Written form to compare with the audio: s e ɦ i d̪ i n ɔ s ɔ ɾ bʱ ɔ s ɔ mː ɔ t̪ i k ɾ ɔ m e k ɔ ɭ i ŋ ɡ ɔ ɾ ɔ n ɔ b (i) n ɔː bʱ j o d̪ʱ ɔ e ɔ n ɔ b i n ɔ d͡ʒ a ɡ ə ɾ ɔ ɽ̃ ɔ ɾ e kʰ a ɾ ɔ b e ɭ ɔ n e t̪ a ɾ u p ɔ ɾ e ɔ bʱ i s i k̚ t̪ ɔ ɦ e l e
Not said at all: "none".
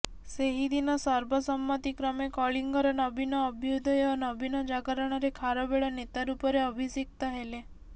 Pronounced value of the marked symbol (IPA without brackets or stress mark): i